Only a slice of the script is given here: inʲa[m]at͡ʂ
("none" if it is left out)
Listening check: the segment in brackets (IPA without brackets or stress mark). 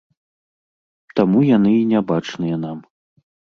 b